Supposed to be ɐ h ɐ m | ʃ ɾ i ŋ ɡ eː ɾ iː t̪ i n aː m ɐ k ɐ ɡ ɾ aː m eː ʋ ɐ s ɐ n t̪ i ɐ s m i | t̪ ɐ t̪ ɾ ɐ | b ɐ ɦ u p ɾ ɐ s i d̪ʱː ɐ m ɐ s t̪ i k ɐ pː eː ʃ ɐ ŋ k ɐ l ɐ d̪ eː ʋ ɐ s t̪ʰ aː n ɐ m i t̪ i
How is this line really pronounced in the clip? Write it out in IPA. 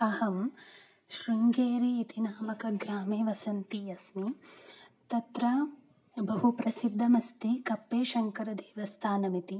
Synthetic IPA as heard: ɐ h ɐ m | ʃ ɾ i ŋ ɡ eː ɾ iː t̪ i n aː m ɐ k ɐ ɡ ɾ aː m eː ʋ ɐ s ɐ n t̪ i ɐ s m i | t̪ ɐ t̪ ɾ ɐ | b ɐ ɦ u p ɾ ɐ s i d̪ʱː ɐ m ɐ s t̪ i k ɐ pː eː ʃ ɐ ŋ k ɐ ɾ ɐ d̪ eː ʋ ɐ s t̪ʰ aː n ɐ m i t̪ i